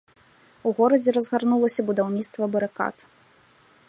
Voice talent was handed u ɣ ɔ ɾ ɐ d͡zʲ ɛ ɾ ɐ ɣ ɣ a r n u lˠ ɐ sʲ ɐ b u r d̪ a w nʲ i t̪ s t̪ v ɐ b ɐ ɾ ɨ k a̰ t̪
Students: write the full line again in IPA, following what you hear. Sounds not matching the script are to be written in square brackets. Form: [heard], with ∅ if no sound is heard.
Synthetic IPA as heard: u ɣ ɔ ɾ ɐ d͡zʲ ɛ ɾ ɐ [z] ɣ a r n u lˠ ɐ sʲ ɐ b u [∅] d̪ a w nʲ i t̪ s t̪ v ɐ b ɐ ɾ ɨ k a̰ t̪